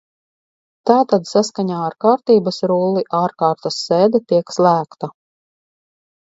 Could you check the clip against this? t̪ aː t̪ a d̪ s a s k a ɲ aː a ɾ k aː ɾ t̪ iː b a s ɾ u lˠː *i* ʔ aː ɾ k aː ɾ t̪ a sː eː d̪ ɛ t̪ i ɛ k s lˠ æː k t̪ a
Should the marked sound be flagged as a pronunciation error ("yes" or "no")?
no